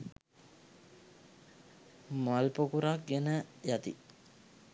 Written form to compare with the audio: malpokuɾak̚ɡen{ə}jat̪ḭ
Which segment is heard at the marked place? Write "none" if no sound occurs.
ə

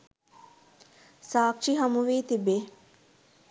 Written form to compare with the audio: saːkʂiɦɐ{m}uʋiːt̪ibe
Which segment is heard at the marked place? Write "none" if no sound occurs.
m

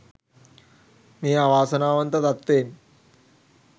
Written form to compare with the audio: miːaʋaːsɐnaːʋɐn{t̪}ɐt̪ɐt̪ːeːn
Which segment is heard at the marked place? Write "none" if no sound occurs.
t̪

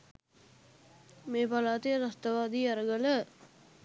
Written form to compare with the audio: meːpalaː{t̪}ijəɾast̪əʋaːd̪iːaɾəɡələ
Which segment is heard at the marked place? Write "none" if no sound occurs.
t̪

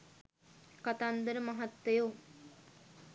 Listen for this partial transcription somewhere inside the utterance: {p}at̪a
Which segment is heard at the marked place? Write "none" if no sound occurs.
k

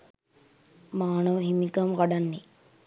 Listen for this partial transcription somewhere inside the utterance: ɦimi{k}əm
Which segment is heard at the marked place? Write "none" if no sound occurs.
k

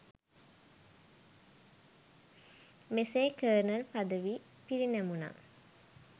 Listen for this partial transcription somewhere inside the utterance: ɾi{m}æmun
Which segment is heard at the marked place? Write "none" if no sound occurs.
n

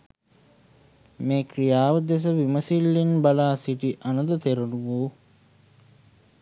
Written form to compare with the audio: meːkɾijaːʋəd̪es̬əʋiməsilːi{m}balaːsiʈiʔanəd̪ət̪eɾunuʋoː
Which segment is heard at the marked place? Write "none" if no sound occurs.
n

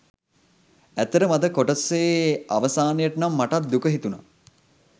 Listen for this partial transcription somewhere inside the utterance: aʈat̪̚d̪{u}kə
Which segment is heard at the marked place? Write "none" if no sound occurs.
u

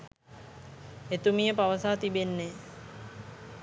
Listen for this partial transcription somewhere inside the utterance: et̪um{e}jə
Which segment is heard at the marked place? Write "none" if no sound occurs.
i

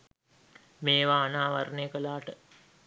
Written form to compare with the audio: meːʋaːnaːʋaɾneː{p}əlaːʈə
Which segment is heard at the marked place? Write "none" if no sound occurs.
k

